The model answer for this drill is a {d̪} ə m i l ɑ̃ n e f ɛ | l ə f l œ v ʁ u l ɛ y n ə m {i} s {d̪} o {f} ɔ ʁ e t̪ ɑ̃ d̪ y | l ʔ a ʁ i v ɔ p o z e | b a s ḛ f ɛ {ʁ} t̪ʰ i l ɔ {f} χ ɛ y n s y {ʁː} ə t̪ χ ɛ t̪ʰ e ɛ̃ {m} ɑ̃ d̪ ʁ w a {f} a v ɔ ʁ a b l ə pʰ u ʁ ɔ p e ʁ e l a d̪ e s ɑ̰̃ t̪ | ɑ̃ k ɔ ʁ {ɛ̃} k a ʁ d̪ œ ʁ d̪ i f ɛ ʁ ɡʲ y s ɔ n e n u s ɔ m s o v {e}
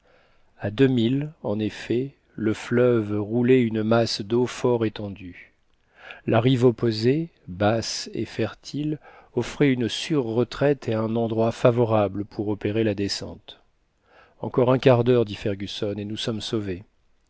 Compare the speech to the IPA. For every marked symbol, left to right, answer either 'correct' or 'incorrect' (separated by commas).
correct, incorrect, correct, correct, correct, correct, correct, incorrect, correct, correct, correct